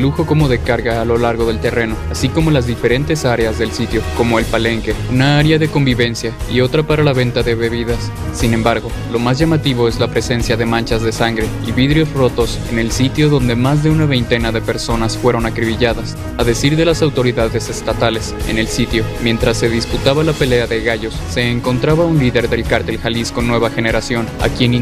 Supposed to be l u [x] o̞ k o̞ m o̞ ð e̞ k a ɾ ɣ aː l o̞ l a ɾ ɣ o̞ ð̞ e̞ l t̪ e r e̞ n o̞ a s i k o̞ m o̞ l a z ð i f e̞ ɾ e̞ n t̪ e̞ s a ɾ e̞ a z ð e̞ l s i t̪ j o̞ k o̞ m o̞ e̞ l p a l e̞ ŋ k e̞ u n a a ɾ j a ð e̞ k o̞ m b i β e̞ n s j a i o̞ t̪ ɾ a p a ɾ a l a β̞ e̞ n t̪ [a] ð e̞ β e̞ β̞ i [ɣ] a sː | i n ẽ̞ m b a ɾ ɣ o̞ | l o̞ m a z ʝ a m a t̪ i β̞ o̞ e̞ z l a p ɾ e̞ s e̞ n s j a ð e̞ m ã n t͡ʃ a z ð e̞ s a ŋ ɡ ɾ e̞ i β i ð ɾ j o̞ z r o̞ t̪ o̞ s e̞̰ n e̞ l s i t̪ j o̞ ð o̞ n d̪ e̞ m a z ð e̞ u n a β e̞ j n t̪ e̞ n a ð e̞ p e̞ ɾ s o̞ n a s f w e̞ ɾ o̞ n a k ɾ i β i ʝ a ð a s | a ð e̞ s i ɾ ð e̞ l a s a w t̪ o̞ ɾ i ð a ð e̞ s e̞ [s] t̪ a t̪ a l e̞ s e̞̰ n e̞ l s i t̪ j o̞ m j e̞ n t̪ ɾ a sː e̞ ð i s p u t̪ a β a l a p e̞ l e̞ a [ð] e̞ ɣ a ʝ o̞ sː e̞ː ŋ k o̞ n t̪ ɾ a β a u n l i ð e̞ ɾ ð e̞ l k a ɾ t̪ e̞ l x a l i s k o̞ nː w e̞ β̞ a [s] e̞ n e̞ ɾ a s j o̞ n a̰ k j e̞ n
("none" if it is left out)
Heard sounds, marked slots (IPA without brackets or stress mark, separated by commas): x, a, ð, s, ð, x